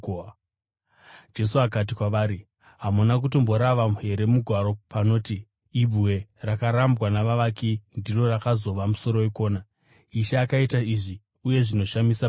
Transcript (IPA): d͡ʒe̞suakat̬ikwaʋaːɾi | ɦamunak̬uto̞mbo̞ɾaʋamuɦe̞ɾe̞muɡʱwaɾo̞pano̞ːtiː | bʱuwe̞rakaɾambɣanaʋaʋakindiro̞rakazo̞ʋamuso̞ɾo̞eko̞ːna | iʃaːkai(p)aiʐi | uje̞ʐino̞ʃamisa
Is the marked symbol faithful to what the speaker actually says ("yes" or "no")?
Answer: no